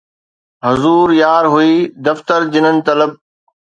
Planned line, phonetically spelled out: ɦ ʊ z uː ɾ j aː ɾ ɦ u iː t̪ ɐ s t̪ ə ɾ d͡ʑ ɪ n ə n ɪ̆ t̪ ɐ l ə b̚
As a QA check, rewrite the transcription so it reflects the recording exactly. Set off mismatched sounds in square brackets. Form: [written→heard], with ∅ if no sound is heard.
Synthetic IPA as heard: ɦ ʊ z uː ɾ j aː ɾ ɦ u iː [t̪→d̪] ɐ [s→f] t̪ ə ɾ d͡ʑ ɪ n ə n ɪ̆ t̪ ɐ l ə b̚